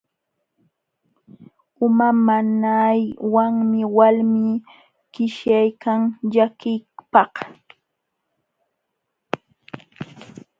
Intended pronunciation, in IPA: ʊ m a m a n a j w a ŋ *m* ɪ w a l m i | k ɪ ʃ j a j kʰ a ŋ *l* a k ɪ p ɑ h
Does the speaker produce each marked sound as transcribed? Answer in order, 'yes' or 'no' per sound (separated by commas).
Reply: yes, no